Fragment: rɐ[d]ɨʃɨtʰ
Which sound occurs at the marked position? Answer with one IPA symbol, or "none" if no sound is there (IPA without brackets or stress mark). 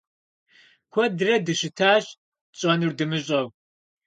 d